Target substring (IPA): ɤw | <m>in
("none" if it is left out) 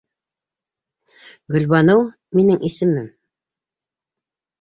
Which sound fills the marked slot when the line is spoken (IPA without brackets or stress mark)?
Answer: m